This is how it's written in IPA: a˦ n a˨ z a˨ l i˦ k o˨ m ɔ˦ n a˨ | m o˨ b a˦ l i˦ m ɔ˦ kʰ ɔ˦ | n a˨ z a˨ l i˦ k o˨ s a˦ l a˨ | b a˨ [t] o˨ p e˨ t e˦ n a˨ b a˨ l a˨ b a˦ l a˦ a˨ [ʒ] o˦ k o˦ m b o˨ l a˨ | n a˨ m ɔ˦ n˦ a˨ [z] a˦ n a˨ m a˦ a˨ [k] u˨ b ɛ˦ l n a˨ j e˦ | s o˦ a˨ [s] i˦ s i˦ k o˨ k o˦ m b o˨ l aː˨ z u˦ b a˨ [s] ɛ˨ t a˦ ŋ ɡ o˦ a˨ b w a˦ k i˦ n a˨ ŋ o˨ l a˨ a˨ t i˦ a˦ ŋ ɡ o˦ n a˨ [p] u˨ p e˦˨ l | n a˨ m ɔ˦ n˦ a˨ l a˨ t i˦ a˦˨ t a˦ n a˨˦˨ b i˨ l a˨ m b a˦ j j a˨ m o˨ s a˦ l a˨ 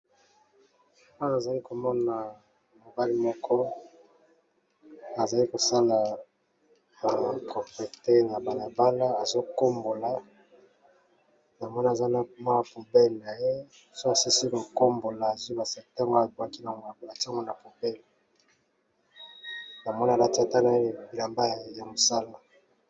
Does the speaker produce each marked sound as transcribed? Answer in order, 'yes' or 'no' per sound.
no, no, yes, no, yes, yes, yes

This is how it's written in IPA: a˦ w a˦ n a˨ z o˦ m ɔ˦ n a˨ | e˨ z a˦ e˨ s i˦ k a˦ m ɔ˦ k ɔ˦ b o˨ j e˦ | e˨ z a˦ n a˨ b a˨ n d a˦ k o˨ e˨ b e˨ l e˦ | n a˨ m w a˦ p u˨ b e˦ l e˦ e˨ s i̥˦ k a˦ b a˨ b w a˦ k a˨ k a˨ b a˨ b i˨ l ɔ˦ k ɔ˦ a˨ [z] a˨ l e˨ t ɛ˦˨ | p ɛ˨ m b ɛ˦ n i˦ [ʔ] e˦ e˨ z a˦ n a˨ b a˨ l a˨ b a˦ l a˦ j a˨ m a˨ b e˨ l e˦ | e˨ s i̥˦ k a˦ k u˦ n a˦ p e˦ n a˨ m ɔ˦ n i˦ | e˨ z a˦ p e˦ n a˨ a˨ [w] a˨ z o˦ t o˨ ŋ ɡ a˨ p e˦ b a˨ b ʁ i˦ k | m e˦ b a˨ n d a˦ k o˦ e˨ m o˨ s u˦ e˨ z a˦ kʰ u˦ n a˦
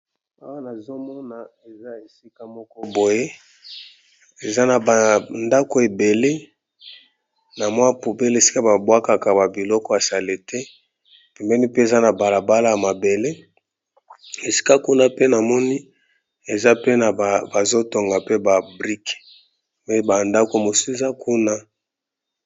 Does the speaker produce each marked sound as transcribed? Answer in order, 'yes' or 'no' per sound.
no, no, no

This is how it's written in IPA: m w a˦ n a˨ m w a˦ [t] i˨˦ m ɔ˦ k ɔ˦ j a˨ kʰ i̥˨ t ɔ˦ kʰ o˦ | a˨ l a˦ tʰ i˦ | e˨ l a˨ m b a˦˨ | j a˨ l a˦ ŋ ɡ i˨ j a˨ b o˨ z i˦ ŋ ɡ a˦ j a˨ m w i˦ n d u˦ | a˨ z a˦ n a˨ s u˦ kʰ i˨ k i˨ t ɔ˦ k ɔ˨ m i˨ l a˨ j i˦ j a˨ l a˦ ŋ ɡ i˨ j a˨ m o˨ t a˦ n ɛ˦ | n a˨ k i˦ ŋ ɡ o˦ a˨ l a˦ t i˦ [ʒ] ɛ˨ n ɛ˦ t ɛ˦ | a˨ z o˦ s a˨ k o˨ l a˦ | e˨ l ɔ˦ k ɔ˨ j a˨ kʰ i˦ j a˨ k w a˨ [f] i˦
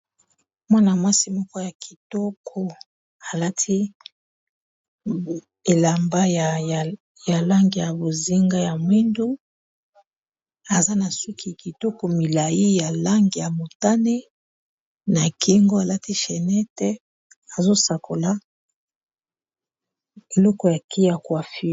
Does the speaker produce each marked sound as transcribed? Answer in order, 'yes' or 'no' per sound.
no, no, yes

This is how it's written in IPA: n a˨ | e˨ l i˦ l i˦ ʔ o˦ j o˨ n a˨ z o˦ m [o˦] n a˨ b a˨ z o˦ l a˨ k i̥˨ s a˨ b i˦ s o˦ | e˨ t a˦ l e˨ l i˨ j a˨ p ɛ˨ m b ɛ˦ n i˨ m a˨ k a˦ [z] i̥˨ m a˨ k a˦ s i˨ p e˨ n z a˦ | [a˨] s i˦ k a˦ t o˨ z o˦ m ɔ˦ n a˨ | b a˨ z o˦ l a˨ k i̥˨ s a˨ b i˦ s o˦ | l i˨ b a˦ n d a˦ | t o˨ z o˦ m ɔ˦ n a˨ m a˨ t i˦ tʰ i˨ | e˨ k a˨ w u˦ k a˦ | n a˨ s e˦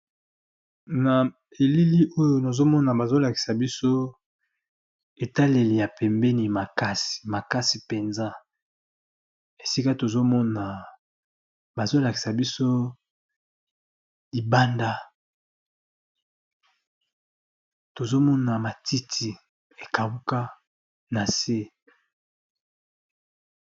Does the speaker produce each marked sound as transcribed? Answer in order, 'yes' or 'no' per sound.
no, no, no

